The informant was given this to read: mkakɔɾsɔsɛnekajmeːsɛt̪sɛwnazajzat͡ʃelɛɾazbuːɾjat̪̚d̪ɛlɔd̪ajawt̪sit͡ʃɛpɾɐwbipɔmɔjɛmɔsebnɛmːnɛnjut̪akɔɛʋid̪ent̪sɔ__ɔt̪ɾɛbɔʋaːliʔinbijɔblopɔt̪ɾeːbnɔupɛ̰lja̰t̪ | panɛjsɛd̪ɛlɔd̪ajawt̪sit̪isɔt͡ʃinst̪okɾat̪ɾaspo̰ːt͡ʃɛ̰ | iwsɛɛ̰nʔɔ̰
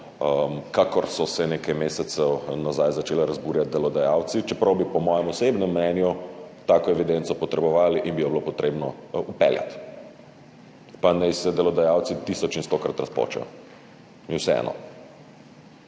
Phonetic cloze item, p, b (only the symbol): p